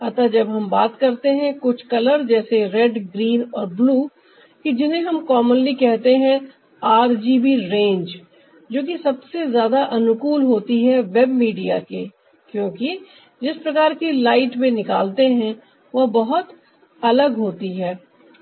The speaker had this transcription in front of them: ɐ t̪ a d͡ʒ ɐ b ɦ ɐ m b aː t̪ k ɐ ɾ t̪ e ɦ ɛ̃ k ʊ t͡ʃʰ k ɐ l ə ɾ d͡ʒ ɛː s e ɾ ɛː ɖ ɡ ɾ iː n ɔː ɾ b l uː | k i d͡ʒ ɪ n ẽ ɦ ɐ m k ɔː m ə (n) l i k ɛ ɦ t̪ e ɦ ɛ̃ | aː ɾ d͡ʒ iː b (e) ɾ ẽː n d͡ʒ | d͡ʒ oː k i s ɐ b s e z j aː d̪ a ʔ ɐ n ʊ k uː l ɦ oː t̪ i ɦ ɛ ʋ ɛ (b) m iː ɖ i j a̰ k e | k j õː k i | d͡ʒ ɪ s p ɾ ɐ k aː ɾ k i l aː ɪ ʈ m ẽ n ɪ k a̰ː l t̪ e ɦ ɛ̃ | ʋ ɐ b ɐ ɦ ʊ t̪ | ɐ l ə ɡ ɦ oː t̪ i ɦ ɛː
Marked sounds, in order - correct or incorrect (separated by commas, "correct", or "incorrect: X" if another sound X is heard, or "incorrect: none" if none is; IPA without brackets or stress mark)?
correct, incorrect: i, correct